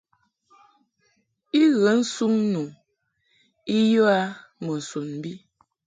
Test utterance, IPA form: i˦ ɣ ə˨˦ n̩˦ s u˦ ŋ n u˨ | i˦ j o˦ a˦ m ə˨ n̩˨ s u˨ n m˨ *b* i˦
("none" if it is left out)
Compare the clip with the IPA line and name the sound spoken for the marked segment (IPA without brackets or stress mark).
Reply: b